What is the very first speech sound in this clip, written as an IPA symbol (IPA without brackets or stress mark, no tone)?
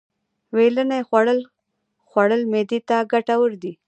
w